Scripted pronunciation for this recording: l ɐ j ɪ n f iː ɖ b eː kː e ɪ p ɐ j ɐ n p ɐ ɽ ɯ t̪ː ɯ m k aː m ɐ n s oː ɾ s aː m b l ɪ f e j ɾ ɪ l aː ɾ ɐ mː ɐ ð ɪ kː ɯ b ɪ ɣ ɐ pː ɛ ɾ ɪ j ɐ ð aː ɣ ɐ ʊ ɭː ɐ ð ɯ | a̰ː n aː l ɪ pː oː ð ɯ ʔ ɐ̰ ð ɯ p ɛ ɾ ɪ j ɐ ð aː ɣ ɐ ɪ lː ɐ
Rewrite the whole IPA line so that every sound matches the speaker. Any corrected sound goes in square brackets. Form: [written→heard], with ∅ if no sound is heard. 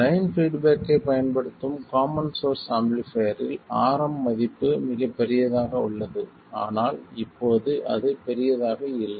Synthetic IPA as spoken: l ɐ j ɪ n f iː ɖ b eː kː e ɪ p ɐ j ɐ n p ɐ ɽ ɯ t̪ː ɯ m k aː m ɐ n s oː ɾ s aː m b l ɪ f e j ɾ ɪ l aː ɾ ɐ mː ɐ ð ɪ [kː→pː] ɯ [b→m] ɪ ɣ ɐ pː ɛ ɾ ɪ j ɐ ð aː ɣ ɐ ʊ ɭː ɐ ð ɯ | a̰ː n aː l ɪ pː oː ð ɯ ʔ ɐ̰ ð ɯ p ɛ ɾ ɪ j ɐ ð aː ɣ ɐ ɪ lː ɐ